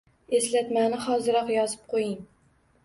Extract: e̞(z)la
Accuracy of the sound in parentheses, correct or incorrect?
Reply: incorrect